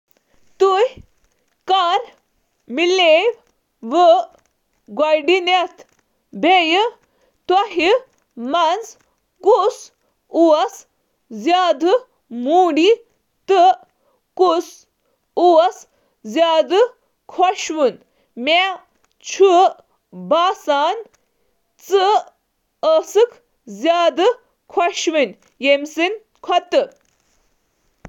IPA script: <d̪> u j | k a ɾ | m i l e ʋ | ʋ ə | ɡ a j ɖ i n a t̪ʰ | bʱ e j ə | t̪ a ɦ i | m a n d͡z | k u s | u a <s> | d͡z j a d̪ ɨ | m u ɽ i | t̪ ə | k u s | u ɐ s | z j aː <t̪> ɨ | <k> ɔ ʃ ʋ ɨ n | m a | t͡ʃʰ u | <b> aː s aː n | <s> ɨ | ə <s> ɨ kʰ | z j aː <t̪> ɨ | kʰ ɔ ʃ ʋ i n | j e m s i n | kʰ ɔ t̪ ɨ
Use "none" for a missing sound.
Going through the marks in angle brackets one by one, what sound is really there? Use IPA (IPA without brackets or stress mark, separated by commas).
t̪, s, d̪, kʰ, b, t͡s, s, d̪